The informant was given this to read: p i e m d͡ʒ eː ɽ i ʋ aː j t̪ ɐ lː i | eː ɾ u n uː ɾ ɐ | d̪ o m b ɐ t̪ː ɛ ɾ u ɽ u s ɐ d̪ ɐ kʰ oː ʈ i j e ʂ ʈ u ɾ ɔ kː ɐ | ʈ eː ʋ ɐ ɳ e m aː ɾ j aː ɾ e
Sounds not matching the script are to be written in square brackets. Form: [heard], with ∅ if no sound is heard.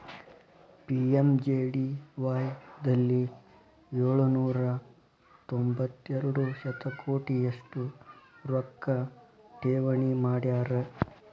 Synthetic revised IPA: p i e m d͡ʒ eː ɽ i ʋ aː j [d̪] ɐ lː i | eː [ɭ] u n uː ɾ ɐ | [t̪] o m b ɐ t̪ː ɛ ɾ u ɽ u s ɐ [t̪] ɐ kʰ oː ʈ i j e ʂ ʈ u ɾ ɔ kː ɐ | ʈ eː ʋ ɐ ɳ [i] m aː [ɽ] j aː ɾ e